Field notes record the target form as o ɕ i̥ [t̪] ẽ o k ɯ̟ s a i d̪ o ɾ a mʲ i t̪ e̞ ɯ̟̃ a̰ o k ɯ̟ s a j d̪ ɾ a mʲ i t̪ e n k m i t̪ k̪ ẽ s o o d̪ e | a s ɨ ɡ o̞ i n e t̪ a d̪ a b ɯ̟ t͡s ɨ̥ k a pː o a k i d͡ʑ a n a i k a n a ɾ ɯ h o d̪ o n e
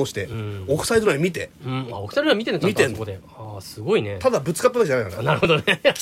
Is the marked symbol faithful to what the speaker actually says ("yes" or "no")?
yes